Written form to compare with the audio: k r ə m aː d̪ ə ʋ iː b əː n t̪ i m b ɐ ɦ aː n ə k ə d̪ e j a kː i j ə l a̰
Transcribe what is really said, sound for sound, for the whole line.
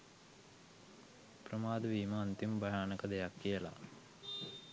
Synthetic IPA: p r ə m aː d̪ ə ʋ iː m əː n t̪ i m b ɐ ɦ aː n ə k ə d̪ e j a kː i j ə l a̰